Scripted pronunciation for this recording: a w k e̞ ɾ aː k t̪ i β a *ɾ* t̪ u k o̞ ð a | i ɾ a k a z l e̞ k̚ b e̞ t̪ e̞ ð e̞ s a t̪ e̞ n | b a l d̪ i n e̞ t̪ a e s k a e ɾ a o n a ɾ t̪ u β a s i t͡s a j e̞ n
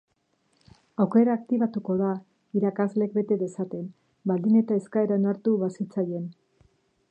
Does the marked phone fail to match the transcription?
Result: yes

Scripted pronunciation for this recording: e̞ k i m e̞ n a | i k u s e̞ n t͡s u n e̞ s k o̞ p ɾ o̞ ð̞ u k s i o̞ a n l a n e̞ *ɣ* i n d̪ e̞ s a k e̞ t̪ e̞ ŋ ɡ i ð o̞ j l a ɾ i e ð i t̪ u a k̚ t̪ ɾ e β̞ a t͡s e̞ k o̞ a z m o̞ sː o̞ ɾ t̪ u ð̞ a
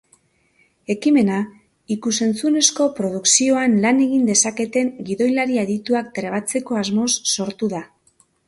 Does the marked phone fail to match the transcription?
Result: no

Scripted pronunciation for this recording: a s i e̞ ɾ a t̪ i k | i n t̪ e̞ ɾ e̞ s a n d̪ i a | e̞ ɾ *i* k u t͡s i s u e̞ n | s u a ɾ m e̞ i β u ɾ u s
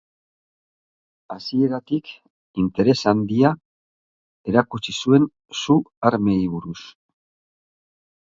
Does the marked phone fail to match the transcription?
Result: yes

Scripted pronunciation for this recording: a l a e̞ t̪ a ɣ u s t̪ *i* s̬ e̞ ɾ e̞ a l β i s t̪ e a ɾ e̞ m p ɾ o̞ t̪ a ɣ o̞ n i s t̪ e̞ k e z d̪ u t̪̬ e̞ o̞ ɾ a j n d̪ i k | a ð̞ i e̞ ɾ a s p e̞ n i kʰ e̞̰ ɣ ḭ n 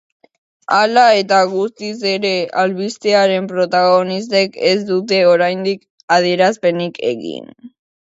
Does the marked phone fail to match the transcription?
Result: no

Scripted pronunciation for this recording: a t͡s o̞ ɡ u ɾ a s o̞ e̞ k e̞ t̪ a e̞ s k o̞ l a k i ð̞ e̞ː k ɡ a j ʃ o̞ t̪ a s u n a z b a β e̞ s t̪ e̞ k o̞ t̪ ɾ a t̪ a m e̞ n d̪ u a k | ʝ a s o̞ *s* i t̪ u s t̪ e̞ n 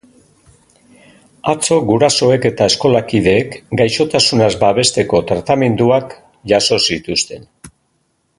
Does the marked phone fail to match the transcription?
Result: no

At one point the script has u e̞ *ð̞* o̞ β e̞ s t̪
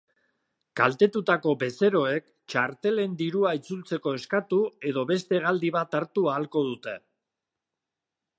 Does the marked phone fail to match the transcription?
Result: no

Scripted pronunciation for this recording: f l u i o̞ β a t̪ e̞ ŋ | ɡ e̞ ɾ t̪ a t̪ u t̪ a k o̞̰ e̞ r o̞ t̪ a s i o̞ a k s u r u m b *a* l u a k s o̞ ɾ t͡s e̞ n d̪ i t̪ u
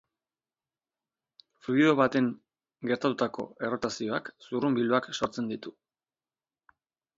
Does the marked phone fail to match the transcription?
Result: yes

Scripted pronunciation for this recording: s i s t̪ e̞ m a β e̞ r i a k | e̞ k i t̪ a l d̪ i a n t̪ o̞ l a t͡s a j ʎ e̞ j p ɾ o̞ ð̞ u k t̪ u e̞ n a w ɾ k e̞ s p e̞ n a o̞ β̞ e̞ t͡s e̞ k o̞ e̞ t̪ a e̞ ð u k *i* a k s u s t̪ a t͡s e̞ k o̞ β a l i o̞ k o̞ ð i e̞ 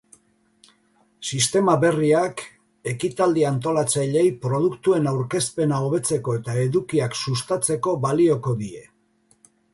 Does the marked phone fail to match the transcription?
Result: no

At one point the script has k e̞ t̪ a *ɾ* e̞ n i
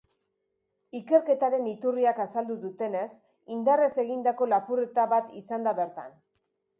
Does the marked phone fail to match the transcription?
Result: no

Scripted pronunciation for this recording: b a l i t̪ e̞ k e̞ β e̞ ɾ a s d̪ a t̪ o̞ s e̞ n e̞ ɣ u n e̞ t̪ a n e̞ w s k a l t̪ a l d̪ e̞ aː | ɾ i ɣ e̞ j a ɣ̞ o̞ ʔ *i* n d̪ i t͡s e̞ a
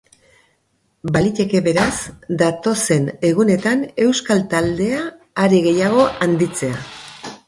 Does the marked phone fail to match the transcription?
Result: yes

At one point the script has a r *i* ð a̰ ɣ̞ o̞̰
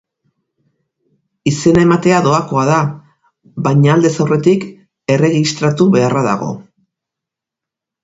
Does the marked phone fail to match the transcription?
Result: yes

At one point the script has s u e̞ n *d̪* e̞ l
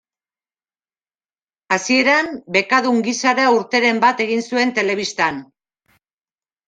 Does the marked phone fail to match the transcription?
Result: yes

